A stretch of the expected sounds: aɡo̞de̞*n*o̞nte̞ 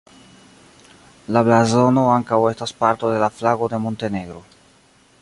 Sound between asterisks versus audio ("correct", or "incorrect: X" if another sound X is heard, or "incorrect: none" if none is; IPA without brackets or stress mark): incorrect: m